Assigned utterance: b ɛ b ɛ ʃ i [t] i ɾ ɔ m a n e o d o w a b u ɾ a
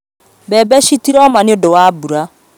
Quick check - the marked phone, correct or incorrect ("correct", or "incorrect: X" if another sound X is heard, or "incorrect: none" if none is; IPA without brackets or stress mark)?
correct